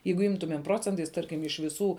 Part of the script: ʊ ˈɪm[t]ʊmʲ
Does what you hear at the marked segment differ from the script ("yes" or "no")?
no